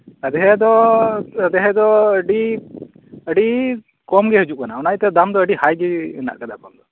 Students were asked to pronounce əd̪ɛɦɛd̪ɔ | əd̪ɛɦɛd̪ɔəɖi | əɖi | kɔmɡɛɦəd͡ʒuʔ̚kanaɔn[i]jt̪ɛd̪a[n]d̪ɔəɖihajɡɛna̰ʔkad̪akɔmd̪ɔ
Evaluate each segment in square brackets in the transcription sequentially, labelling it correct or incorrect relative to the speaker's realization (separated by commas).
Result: incorrect, incorrect